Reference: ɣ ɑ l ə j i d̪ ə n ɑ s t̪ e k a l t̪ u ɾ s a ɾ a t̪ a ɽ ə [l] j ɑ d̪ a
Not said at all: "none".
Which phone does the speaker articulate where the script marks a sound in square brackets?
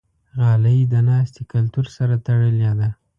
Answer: l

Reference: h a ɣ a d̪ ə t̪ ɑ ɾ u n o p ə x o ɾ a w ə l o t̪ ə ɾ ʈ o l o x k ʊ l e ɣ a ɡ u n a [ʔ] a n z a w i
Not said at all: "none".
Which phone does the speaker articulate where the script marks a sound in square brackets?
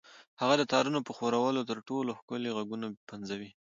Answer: p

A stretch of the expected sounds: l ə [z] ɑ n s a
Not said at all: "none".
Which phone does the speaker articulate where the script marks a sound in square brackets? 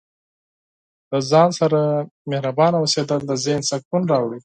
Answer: z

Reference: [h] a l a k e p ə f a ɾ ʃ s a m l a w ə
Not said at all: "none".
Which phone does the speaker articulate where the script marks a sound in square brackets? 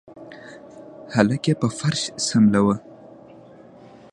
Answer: h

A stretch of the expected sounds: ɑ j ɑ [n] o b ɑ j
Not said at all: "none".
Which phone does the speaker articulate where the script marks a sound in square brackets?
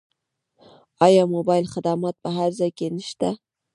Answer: m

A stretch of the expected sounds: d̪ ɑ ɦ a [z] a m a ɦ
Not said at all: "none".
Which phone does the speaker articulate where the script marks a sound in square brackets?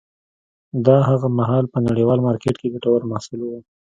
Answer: ɣ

